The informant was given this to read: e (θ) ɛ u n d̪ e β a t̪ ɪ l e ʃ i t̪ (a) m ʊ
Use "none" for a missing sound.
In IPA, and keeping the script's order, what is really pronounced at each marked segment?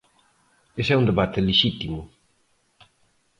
s, i

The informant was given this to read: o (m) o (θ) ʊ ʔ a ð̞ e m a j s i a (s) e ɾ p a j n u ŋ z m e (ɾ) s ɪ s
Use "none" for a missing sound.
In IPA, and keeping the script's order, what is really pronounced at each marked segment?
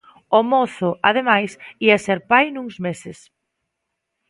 m, θ, s, none

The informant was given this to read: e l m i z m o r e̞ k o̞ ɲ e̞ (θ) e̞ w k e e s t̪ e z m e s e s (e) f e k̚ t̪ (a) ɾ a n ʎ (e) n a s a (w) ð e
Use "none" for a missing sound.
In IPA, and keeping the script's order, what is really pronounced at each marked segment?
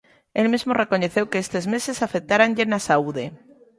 θ, a, a, e, u

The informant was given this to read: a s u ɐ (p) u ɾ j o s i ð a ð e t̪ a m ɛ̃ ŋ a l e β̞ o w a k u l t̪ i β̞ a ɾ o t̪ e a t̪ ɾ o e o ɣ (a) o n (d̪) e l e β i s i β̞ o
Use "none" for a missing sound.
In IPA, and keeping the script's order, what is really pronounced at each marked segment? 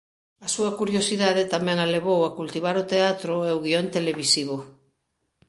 k, i, t̪

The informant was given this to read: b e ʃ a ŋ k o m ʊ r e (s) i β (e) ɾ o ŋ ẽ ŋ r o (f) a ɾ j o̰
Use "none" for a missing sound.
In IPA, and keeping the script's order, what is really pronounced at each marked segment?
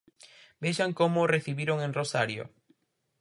θ, i, s

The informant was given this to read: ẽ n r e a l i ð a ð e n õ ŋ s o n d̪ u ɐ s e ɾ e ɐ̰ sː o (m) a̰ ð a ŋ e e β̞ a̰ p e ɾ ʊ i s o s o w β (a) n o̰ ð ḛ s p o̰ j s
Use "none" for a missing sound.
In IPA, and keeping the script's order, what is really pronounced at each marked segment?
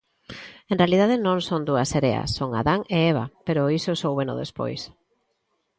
ŋ, e

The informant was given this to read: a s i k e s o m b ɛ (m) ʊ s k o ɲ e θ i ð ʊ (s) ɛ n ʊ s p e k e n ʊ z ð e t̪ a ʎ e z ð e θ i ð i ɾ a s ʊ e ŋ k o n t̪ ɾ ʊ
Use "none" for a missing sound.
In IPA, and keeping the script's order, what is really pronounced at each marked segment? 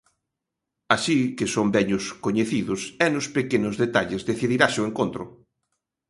ɲ, s

